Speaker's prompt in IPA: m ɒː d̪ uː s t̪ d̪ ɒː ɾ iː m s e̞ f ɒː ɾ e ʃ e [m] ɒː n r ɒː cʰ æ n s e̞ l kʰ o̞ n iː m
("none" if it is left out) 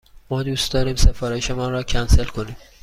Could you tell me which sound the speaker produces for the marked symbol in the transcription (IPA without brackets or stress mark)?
m